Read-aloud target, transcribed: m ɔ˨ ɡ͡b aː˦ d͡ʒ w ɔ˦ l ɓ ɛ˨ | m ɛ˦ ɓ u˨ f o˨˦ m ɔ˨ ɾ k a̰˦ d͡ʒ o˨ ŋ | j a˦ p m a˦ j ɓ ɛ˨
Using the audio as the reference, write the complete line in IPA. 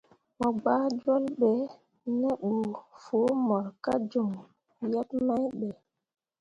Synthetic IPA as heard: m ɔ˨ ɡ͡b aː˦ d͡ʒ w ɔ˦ l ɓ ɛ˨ | n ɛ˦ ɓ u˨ f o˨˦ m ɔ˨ ɾ k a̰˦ d͡ʒ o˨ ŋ | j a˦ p m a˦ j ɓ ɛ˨